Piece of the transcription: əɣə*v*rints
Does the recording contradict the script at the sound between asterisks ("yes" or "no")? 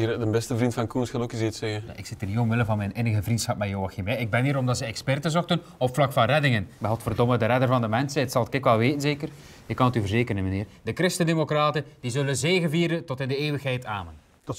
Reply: no